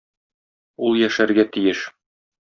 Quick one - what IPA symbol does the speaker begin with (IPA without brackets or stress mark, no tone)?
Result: u